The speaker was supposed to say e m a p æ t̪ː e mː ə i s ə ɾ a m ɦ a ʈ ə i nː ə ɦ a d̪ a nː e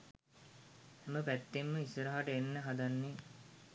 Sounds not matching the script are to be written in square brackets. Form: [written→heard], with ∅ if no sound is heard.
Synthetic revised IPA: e m [a→ə] p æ t̪ː e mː ə i s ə ɾ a [m→∅] ɦ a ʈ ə [i→e] nː ə ɦ a d̪ a nː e